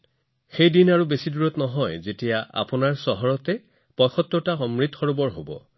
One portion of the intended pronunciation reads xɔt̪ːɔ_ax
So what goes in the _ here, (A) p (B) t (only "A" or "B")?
B